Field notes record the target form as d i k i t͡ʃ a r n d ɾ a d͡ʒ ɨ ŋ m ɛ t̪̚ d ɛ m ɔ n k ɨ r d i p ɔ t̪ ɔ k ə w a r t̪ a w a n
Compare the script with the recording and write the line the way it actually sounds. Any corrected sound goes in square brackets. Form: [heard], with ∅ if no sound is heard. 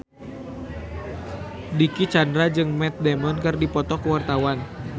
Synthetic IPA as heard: d i k i t͡ʃ a [∅] n d ɾ a d͡ʒ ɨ ŋ m ɛ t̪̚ d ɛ m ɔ n k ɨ r d i p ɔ t̪ ɔ k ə w a r t̪ a w a n